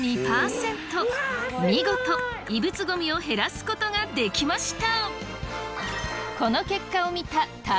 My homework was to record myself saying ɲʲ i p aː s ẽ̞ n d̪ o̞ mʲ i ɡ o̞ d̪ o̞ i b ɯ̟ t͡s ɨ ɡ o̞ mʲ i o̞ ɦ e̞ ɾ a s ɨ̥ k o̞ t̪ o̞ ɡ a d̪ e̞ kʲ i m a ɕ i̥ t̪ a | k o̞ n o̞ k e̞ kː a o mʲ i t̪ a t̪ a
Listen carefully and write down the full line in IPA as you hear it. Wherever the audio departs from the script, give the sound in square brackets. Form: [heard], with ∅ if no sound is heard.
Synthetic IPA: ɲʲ i p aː s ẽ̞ n [t̪] o̞ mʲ i ɡ o̞ [t̪] o̞ i b ɯ̟ t͡s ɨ ɡ o̞ mʲ i o̞ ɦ e̞ ɾ a s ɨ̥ k o̞ t̪ o̞ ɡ a d̪ e̞ kʲ i m a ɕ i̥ t̪ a | k o̞ n o̞ k e̞ kː a o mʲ i t̪ a t̪ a